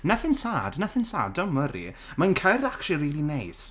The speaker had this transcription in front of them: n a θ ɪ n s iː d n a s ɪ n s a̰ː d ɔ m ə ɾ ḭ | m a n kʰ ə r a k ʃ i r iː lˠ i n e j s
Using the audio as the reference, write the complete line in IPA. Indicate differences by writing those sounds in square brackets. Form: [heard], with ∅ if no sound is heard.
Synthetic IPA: n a θ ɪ n s [aː] d n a [θ] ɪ n s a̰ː d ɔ m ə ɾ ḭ | m a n kʰ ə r a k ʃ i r iː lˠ i n e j s